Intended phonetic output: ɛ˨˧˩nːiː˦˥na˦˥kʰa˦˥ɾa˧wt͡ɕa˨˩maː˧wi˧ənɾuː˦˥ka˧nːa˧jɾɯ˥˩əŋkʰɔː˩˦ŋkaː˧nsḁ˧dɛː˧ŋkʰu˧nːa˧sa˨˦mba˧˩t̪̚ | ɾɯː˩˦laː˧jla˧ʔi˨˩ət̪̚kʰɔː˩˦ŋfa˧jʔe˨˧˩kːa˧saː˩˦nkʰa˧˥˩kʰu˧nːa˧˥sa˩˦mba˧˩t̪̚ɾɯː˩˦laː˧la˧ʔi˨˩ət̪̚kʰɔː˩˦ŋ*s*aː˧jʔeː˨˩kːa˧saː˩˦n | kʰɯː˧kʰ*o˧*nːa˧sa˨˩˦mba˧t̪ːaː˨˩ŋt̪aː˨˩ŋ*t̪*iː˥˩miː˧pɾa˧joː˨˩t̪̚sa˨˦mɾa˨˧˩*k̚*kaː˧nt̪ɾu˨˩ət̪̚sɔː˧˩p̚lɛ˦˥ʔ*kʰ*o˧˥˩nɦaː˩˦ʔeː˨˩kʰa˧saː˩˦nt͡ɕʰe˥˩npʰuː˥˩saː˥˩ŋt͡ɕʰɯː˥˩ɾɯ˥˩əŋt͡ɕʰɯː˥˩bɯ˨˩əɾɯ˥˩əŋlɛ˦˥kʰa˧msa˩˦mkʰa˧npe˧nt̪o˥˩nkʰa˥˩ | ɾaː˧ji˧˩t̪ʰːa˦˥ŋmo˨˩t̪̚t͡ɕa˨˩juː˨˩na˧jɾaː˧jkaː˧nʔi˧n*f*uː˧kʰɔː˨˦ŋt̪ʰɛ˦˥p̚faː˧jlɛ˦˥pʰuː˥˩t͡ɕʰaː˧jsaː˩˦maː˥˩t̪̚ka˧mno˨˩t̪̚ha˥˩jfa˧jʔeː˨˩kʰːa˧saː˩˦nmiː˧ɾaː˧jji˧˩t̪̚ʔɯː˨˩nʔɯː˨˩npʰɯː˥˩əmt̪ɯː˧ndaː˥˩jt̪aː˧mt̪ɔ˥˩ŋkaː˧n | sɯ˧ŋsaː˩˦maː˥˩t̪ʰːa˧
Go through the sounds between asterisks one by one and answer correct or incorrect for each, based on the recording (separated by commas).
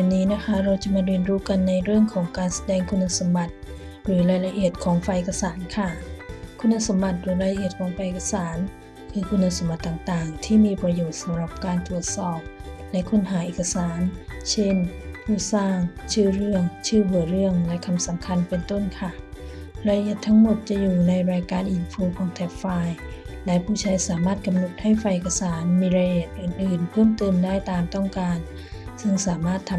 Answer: incorrect, incorrect, incorrect, incorrect, correct, correct